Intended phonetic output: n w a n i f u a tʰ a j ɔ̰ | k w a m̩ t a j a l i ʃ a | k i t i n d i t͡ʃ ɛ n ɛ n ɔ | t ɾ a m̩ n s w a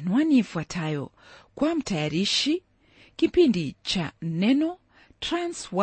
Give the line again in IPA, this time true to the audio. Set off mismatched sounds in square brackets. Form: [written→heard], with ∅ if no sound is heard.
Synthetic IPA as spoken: n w a n i f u a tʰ a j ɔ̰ | k w a m̩ t a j a [l→ɾ] i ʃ [a→i] | k i [t→p] i n d i t͡ʃ [ɛ→a] n ɛ n ɔ | t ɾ a [m̩→∅] n s w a